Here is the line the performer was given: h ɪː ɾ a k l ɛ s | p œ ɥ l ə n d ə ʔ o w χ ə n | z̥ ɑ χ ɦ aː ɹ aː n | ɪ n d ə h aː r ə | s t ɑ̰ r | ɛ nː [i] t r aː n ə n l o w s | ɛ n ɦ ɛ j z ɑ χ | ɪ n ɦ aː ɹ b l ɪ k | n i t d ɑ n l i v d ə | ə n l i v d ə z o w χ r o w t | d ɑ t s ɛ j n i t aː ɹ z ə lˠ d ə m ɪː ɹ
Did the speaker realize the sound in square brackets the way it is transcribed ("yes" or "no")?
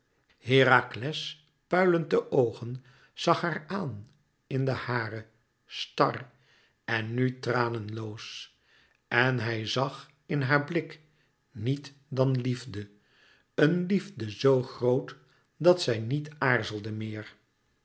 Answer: no